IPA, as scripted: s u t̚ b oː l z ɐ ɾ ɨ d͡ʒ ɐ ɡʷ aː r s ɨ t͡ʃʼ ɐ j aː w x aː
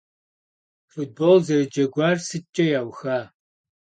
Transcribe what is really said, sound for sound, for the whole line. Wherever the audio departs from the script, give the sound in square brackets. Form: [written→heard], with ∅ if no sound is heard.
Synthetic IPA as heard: [s→f] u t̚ b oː l z ɐ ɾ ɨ d͡ʒ ɐ ɡʷ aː r s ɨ t͡ʃʼ ɐ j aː w x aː